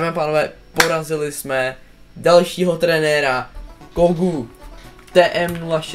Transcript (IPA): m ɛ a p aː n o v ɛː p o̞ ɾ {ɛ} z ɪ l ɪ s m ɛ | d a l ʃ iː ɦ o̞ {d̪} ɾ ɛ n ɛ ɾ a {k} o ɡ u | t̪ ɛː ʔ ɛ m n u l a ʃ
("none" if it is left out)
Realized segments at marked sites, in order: a, t̪, k

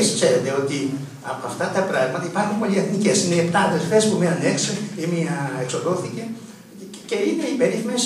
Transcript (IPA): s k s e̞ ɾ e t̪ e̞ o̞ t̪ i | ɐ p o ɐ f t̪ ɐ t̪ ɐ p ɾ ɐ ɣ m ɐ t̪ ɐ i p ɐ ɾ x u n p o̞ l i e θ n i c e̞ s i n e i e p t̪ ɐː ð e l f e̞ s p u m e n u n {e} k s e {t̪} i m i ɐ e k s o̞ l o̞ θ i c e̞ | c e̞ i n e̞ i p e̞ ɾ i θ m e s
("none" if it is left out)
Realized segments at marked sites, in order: e, none

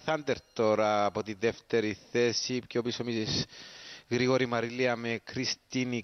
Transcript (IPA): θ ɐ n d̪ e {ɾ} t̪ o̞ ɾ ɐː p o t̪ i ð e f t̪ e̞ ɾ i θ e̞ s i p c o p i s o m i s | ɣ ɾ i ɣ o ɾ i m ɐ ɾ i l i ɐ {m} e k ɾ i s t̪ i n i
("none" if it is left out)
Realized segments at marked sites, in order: ɾ, m

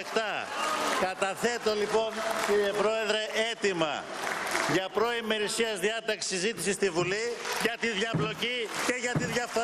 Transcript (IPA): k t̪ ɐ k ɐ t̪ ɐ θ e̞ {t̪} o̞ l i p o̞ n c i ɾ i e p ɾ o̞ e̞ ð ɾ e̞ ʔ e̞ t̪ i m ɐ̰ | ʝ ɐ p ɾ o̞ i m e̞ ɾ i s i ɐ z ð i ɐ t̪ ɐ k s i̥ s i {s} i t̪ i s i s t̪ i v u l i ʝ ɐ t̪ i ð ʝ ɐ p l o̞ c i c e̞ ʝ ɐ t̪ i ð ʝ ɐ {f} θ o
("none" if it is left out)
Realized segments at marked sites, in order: t̪, z, f

